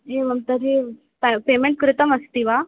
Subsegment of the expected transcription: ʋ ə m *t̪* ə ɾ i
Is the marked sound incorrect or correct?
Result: correct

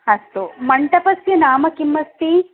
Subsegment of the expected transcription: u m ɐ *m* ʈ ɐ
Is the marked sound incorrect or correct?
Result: incorrect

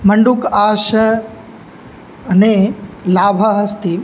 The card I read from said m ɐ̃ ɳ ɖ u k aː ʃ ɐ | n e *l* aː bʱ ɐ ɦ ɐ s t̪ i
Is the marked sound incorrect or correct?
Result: correct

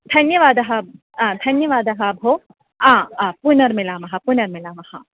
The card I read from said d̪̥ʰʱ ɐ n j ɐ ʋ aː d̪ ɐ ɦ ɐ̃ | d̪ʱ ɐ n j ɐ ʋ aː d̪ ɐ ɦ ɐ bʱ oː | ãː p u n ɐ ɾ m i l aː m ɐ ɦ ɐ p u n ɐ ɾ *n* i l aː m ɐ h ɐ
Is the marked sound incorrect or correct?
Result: incorrect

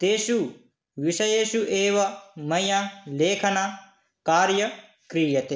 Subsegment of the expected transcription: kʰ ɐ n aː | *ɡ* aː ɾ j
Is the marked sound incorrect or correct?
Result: incorrect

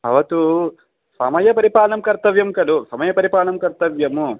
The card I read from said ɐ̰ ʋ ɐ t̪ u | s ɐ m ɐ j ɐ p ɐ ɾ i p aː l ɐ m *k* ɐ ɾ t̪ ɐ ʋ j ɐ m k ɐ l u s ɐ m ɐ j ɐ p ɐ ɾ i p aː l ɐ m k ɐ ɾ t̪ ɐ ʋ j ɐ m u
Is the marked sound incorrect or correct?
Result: correct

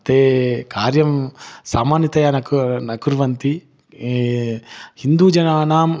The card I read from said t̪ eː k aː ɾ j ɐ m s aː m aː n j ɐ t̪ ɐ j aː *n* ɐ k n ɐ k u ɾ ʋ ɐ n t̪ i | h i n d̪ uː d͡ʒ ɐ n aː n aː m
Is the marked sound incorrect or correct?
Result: correct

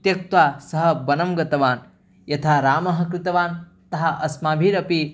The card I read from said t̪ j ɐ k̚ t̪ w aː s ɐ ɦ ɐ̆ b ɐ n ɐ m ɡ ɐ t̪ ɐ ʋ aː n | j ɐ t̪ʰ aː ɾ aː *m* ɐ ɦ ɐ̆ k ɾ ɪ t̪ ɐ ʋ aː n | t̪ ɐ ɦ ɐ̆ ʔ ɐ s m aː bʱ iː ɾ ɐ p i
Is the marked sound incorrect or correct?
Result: correct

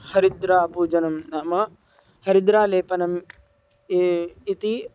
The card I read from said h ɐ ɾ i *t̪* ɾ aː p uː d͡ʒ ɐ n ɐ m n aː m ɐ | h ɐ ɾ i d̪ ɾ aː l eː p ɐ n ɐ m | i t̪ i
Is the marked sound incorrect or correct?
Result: incorrect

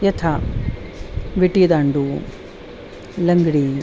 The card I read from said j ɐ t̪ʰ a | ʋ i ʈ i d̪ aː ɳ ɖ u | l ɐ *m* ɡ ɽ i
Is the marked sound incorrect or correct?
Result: incorrect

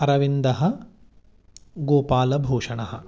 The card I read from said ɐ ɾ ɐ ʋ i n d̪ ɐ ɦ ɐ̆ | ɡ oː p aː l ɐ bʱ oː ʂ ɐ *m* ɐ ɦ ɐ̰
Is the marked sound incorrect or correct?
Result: incorrect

